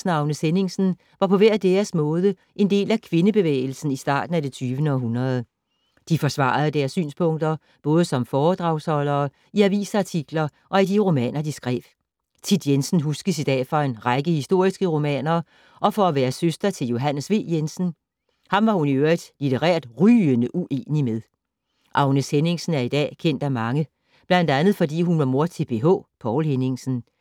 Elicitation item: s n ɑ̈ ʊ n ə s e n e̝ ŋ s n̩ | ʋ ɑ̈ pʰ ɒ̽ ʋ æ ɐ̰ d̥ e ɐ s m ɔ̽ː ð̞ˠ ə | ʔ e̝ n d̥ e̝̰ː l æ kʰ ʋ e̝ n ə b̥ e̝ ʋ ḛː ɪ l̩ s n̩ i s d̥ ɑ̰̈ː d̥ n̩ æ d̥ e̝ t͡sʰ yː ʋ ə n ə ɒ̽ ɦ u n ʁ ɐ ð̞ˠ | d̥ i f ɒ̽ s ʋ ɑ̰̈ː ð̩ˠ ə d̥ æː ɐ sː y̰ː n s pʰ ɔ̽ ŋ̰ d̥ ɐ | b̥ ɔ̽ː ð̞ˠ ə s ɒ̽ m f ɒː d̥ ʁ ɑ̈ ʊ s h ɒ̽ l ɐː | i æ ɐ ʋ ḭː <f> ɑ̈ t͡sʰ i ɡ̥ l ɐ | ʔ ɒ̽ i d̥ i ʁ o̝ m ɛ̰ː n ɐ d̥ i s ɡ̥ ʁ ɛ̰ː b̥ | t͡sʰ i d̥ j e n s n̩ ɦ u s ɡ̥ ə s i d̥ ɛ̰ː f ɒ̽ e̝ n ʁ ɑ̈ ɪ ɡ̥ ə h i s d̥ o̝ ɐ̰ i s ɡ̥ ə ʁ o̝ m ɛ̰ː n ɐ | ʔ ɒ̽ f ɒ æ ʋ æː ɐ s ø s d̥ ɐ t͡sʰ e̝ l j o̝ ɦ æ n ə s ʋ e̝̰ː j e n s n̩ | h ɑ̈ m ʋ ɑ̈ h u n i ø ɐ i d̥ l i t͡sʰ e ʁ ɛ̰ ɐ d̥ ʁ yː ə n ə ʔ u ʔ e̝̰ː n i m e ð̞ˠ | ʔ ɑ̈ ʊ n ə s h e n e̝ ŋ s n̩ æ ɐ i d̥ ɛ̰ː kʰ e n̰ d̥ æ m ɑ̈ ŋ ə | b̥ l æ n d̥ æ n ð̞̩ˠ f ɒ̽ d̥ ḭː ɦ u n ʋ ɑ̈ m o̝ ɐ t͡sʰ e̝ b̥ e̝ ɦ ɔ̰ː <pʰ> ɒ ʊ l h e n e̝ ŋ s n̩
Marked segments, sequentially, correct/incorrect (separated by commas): incorrect, correct